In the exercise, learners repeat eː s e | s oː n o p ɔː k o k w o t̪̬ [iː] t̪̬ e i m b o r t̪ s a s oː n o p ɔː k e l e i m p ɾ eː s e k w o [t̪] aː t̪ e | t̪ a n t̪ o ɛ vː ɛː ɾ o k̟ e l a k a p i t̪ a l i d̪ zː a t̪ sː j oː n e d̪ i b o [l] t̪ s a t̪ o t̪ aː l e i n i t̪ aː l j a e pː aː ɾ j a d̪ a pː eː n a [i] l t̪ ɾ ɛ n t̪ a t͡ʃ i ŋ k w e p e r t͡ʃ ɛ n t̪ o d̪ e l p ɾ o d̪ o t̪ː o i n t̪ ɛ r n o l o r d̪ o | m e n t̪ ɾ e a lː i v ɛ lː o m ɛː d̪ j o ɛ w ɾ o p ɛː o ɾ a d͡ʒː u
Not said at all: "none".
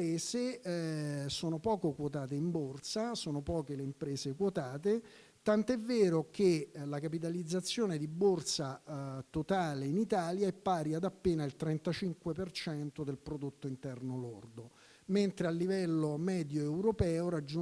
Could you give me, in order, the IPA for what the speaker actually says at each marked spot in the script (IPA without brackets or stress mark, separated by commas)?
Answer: aː, t̪, r, i